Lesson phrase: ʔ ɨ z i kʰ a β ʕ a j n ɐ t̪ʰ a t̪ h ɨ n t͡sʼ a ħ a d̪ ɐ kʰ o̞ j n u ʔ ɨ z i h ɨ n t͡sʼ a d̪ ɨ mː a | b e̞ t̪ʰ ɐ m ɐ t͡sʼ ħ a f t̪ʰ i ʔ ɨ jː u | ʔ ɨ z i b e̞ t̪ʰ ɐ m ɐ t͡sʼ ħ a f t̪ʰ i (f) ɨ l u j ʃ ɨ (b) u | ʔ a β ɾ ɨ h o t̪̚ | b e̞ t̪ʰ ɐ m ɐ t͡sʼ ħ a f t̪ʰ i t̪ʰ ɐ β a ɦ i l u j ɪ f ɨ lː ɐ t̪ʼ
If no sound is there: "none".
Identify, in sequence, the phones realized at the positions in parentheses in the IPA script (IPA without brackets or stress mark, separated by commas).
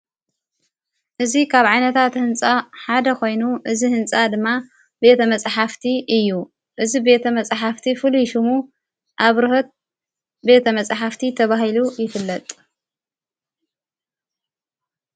f, m